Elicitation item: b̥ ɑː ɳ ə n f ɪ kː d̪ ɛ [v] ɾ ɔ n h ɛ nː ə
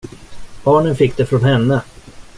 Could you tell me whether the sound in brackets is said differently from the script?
yes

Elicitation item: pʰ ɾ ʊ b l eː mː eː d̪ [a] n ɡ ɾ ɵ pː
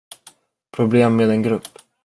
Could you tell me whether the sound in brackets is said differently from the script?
yes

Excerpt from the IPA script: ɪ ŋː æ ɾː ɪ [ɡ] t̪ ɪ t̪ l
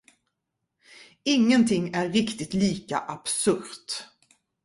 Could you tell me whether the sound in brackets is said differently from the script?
yes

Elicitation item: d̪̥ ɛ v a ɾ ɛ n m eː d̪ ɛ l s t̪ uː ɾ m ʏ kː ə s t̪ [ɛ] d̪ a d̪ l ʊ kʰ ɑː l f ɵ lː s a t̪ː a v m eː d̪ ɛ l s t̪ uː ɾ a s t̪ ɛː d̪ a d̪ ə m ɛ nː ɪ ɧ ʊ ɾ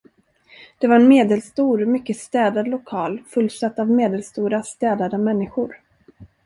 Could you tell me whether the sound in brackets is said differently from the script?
yes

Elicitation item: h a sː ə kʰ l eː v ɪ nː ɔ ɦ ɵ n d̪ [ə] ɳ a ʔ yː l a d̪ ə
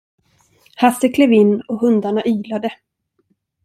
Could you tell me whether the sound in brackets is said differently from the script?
yes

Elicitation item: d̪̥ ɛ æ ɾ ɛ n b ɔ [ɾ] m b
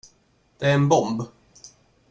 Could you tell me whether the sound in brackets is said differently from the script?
yes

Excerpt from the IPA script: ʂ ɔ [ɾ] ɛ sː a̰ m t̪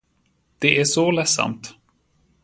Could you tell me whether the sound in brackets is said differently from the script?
yes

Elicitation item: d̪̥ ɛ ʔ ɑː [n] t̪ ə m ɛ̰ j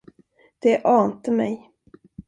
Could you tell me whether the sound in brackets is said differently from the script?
no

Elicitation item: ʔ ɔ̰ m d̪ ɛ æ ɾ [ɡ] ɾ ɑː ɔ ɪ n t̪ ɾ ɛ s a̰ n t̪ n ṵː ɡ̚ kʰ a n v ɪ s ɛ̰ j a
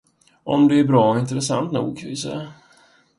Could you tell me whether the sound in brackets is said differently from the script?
yes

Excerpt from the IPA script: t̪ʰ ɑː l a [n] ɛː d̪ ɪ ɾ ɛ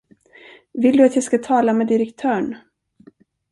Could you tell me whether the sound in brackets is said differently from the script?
yes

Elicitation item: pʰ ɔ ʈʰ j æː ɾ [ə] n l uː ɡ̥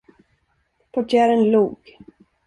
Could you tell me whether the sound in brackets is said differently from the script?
no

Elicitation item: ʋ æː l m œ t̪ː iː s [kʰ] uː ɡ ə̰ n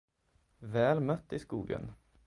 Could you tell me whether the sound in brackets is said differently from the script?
yes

